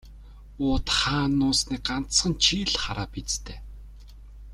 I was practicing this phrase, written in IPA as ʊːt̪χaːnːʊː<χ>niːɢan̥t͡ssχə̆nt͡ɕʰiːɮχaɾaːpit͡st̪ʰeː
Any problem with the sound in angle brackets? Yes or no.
yes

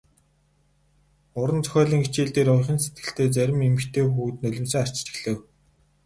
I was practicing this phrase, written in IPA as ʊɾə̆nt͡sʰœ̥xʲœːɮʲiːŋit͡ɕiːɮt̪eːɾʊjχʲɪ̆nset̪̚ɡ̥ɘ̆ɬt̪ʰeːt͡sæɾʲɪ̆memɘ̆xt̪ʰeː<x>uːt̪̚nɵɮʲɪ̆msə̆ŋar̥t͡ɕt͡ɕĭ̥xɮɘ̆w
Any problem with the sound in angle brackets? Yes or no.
no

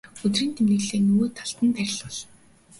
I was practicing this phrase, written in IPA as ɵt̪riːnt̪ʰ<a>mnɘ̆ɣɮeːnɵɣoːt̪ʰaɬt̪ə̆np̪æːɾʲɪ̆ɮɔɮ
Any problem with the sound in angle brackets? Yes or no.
yes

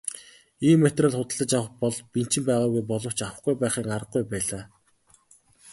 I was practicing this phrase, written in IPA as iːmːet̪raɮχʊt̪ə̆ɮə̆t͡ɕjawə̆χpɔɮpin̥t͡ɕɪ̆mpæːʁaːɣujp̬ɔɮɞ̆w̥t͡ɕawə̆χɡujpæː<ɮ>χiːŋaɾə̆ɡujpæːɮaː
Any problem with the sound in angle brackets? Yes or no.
yes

